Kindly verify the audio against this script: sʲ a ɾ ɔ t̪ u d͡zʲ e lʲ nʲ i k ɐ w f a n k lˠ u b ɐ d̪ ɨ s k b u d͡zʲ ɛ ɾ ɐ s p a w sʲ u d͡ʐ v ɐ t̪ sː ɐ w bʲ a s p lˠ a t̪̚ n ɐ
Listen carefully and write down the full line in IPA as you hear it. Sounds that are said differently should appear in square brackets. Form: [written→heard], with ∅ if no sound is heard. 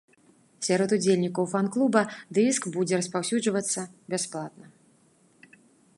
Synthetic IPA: sʲ a ɾ ɔ t̪ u d͡zʲ e lʲ nʲ i k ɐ w f a n k lˠ u b ɐ d̪ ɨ s k b u d͡zʲ ɛ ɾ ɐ s p a w sʲ u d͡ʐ v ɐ t̪ sː ɐ [w→∅] bʲ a s p lˠ a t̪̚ n ɐ